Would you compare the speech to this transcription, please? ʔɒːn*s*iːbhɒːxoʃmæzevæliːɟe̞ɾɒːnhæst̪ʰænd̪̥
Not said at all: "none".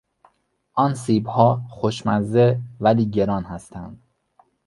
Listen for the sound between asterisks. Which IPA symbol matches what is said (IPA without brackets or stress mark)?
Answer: s